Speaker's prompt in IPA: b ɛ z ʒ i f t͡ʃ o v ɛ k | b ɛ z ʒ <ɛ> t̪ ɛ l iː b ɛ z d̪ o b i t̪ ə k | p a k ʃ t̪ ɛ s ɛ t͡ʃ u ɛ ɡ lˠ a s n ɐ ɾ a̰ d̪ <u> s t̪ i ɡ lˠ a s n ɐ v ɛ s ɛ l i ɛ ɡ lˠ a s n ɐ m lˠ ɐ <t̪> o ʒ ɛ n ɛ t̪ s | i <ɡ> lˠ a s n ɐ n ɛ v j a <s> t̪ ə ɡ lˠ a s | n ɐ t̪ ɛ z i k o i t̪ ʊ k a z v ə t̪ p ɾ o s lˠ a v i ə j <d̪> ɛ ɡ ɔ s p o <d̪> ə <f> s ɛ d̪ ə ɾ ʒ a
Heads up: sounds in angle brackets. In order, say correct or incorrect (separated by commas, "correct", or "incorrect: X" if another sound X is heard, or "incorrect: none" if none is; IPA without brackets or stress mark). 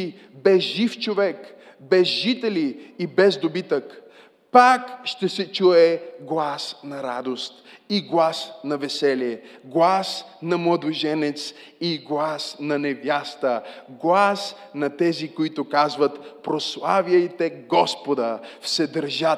incorrect: i, incorrect: o, incorrect: d̪, correct, correct, incorrect: t̪, correct, correct